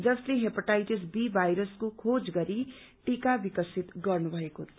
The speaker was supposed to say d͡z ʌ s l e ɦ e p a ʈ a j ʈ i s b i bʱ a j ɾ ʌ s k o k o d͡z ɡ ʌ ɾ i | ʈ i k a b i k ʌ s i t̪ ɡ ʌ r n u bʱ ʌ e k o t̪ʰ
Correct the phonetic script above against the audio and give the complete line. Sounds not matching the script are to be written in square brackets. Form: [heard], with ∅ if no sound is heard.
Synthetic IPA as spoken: d͡z ʌ s l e ɦ e p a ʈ a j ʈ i s b i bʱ a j ɾ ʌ s k o [kʰ] o d͡z ɡ ʌ ɾ i | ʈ i k a b i k ʌ s i t̪ ɡ ʌ r n u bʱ ʌ e k o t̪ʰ